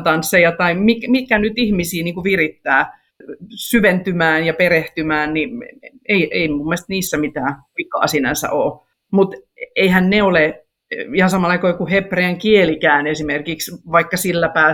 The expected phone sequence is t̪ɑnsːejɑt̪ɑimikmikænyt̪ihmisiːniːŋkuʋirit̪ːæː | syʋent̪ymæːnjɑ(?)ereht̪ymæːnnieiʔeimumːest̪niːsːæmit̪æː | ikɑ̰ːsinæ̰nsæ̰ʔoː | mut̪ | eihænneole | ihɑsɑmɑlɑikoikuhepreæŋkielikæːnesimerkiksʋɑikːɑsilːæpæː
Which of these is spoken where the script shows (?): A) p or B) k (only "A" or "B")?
A